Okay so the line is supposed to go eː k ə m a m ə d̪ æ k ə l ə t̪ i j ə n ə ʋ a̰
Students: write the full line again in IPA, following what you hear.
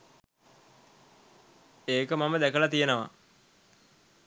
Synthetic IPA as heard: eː k ə m a m ə d̪ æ k ə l a t̪ i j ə n ə ʋ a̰